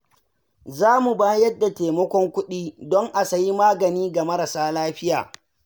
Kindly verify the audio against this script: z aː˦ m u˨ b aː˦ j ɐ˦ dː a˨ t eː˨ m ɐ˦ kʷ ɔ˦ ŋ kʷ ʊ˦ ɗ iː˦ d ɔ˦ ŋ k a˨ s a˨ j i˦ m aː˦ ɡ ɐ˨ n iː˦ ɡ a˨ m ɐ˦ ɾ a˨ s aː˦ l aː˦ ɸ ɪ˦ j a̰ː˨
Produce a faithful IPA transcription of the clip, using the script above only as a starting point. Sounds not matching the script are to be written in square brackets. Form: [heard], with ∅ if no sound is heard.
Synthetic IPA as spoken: z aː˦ m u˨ b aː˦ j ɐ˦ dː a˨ t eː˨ m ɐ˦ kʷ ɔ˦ ŋ kʷ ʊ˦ ɗ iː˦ d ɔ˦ ŋ [ʔ] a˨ s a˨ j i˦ m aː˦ ɡ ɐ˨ n iː˦ ɡ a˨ m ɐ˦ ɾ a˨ s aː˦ l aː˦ ɸ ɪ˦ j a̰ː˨

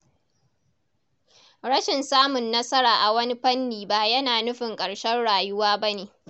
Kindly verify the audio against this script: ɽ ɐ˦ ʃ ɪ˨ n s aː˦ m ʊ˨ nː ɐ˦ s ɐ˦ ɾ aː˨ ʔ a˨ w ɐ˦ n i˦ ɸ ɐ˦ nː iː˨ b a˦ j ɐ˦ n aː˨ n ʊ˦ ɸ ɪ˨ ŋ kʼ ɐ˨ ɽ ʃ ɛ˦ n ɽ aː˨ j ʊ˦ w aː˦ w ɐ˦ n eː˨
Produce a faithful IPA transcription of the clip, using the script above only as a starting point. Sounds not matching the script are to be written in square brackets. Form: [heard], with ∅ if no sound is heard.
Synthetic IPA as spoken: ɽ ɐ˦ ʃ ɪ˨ n s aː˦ m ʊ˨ nː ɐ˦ s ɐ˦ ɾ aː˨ ʔ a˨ w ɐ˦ n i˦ ɸ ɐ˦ nː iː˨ b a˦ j ɐ˦ n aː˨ n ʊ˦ ɸ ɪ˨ ŋ kʼ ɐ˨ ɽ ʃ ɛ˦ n ɽ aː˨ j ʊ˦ w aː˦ [b] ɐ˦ n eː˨

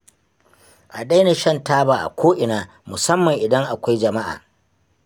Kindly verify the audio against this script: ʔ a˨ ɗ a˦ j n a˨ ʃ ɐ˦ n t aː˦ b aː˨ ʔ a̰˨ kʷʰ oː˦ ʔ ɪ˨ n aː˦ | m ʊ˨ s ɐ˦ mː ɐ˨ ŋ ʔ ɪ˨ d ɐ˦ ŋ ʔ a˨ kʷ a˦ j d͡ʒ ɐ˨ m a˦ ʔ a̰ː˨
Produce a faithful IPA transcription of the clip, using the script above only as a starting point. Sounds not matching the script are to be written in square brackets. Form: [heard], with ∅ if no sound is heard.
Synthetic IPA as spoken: ʔ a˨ ɗ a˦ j n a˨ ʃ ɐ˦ n t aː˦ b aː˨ ʔ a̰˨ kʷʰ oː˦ ʔ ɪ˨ n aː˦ | m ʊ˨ s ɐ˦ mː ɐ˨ ŋ ʔ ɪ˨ d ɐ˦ ŋ ʔ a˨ kʷ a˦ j d͡ʒ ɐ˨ m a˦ ʔ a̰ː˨

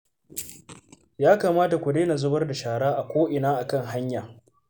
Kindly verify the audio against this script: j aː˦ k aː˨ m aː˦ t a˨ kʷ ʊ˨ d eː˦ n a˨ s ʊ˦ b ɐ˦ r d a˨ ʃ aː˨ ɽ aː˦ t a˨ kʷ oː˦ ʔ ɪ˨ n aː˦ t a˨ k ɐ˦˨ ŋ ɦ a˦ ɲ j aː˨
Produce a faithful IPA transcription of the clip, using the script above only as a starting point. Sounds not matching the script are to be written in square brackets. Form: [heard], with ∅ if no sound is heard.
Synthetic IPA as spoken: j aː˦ k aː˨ m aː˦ t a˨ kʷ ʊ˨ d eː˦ n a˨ [z] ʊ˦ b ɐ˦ r d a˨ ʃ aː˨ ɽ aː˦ [ʔ] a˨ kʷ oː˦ ʔ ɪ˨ n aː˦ [ʔ] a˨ k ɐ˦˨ ŋ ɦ a˦ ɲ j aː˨

